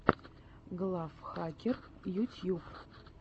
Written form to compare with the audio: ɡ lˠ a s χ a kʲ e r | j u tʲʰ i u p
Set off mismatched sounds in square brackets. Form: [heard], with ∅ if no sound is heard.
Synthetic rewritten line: ɡ lˠ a [f] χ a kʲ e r | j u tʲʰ [j] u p